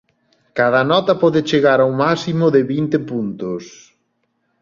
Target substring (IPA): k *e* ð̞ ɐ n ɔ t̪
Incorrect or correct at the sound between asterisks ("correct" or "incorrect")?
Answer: incorrect